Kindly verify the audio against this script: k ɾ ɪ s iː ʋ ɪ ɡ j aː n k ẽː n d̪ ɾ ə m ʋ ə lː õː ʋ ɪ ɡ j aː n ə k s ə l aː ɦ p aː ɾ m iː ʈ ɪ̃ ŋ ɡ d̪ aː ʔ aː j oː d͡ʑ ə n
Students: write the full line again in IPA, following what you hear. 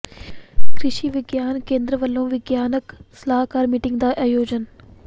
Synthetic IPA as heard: k ɾ ɪ ʃ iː ʋ ɪ ɡ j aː n k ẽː n d̪ ɾ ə ʋ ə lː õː ʋ ɪ ɡ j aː n ə k s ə l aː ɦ k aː ɾ m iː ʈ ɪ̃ ŋ ɡ d̪ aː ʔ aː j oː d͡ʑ ə n